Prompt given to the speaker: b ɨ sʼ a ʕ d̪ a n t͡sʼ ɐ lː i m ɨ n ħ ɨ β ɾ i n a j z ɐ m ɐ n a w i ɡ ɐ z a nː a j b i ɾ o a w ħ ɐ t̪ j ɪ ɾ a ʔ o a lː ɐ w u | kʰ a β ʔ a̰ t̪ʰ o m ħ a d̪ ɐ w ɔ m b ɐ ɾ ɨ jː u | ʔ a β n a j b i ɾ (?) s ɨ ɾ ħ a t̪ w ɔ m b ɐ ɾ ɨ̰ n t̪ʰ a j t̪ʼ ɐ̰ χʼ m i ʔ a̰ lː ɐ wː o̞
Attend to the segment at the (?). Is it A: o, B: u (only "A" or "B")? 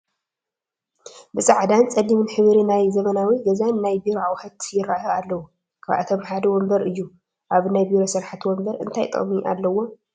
A